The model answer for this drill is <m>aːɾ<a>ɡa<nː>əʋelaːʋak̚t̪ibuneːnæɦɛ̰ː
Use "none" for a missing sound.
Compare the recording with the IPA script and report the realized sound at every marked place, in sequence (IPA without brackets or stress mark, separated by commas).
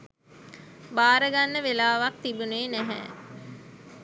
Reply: b, ə, nː